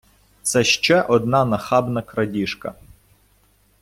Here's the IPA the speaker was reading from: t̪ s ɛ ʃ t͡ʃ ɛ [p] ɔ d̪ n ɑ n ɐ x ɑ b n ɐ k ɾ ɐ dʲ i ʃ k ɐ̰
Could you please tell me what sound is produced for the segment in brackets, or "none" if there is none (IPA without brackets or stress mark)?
ʔ